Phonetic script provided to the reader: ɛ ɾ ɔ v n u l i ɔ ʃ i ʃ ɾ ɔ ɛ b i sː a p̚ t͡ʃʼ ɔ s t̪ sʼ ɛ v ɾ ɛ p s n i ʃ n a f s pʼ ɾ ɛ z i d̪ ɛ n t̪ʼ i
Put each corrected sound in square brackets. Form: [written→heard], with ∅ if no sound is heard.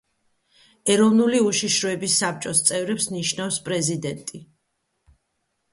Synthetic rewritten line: ɛ ɾ ɔ v n u l i [ɔ→u] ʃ i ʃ ɾ ɔ ɛ b i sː a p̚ t͡ʃʼ ɔ s t̪ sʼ ɛ v ɾ ɛ p s n i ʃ n a f s pʼ ɾ ɛ z i d̪ ɛ n t̪ʼ i